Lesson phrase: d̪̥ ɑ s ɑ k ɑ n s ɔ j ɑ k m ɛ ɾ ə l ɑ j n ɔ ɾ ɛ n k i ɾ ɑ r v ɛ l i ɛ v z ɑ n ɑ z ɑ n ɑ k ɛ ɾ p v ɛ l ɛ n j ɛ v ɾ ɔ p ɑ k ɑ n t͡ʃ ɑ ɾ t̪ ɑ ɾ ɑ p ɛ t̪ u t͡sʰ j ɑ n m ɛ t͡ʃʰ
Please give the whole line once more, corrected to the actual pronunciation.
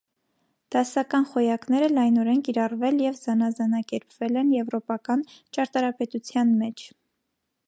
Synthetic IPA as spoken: d̪̥ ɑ s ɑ k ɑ n χ ɔ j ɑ k n ɛ ɾ ə l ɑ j n ɔ ɾ ɛ n k i ɾ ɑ r v ɛ l j ɛ v z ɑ n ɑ z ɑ n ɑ k ɛ ɾ p v ɛ l ɛ n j ɛ v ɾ ɔ p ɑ k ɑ n t͡ʃ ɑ ɾ t̪ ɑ ɾ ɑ p ɛ t̪ u t͡sʰ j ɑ n m ɛ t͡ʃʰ